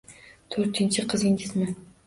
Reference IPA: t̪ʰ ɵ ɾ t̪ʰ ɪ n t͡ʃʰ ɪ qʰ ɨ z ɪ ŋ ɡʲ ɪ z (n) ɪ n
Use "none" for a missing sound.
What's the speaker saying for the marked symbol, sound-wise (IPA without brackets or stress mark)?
m